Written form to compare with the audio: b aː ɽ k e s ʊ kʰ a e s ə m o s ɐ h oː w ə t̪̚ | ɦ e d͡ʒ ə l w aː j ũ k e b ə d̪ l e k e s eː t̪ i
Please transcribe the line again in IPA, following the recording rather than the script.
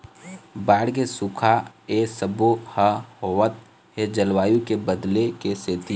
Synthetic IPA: b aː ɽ k e s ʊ kʰ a e s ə b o h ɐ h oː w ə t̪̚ | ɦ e d͡ʒ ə l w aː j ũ k e b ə d̪ l e k e s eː t̪ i

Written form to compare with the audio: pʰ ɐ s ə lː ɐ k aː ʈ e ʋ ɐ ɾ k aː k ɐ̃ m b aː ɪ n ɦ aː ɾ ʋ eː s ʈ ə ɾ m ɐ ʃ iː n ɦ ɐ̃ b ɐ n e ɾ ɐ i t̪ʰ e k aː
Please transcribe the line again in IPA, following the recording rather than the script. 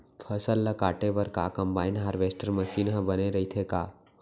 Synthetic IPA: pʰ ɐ s ə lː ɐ k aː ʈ e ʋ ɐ ɾ k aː k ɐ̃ m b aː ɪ n ɦ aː ɾ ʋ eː s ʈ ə ɾ m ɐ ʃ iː n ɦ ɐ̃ b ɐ n e ɾ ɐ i t̪ʰ e k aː

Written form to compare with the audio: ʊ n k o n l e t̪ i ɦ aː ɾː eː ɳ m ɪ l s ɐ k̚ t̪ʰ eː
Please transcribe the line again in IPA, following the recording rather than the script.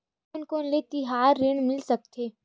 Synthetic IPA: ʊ n k o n l e t̪ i ɦ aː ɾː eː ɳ m ɪ l s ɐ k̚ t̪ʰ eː

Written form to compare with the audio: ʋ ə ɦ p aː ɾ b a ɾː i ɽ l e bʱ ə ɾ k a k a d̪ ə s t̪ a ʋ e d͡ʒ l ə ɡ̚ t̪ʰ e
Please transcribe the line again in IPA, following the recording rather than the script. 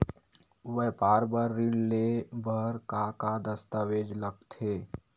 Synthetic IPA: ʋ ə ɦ p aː ɾ b ə ɾː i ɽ l e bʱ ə ɾ k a k a d̪ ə s t̪ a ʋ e d͡ʒ l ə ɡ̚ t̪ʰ e

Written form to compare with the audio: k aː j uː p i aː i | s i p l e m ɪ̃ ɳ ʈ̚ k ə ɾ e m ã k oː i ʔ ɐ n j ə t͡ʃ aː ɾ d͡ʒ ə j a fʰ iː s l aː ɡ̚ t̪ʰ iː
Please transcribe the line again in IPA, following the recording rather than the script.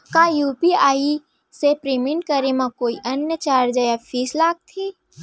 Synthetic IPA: k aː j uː p i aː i | s e p ɾ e m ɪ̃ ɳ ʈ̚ k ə ɾ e m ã k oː i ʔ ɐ n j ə t͡ʃ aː ɾ d͡ʒ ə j a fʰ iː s l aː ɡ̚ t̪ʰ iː

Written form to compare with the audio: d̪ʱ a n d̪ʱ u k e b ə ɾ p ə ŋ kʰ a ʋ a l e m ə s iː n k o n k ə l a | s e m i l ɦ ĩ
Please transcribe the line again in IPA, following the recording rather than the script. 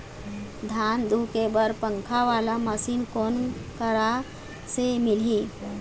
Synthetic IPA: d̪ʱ a n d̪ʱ u k e b ə ɾ p ə ŋ kʰ a ʋ a l a m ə s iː n k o n k ə ɾ a | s e m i l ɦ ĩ

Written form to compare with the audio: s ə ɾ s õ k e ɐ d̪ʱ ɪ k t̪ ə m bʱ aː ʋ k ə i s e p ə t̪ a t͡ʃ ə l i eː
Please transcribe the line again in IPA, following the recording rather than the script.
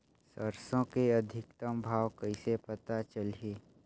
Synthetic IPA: s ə ɾ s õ k e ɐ d̪ʱ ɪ k t̪ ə m bʱ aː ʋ k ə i s e p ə t̪ a t͡ʃ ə l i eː

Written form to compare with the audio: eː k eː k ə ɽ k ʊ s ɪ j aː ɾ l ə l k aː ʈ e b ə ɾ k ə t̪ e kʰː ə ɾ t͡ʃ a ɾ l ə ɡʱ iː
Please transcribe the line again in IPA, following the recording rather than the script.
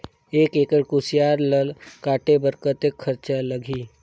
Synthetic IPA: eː k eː k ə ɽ k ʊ s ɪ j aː ɾ l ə l k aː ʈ e b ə ɾ k ə t̪ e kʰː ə ɾ t͡ʃ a l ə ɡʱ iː

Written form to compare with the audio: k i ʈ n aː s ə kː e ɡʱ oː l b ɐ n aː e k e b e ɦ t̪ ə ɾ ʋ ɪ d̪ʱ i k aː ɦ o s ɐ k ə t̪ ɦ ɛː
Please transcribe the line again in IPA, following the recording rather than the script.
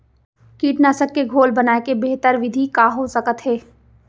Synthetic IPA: k iː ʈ n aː s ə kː e ɡʱ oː l b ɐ n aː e k e b e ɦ t̪ ə ɾ ʋ ɪ d̪ʱ i k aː ɦ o s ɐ k ə t̪ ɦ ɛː

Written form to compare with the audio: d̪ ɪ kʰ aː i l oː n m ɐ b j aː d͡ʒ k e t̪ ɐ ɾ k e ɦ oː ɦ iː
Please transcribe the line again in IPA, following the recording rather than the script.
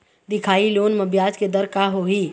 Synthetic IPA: d̪ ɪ kʰ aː i l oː n m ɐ b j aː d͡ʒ k e d̪ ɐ ɾ k a ɦ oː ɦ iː

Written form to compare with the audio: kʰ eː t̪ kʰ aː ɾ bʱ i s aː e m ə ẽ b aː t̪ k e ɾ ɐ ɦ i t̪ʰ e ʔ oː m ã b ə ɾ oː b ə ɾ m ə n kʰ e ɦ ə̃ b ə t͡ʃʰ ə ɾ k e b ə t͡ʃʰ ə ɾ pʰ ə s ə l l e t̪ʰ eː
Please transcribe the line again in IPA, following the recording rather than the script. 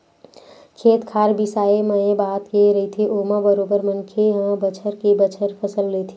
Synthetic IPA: kʰ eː t̪ kʰ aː ɾ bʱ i s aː e m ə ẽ b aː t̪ k e ɾ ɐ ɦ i t̪ʰ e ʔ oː m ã b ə ɾ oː b ə ɾ m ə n kʰ e ɦ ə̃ b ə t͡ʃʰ ə ɾ k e b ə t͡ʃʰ ə ɾ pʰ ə s ə l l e t̪ʰ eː

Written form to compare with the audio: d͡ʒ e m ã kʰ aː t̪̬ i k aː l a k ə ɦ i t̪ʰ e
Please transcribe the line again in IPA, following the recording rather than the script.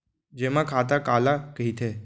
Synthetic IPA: d͡ʒ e m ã kʰ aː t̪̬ a k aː l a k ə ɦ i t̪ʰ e

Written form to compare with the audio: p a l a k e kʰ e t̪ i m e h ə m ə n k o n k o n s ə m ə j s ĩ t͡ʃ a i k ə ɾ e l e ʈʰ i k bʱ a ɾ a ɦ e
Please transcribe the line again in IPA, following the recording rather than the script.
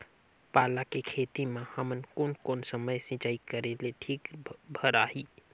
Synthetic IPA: p a l a k e kʰ e t̪ i m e h ə m ə n k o n k o n s ə m ə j s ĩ t͡ʃ a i k ə ɾ e l e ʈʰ i k bʱ ə ɾ a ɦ i

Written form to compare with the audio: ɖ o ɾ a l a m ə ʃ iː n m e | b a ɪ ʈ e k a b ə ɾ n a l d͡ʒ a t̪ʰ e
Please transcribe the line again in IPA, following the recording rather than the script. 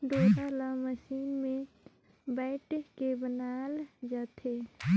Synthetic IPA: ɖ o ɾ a l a m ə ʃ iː n m e | b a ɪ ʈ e k e b ə n a l d͡ʒ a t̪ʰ e

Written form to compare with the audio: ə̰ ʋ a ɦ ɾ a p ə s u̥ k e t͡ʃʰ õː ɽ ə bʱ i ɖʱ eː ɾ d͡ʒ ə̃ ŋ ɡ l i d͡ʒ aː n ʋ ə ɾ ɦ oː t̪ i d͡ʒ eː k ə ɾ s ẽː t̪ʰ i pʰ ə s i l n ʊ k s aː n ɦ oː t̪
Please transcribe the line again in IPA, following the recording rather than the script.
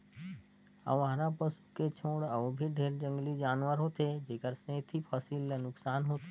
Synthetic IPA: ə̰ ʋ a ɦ ɾ a p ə s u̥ k e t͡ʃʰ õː ɽ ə bʱ i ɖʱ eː ɾ d͡ʒ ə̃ ŋ ɡ l i d͡ʒ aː n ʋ ə ɾ ɦ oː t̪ e d͡ʒ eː k ə ɾ s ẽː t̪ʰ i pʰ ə s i l n ʊ k s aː n ɦ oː t̪

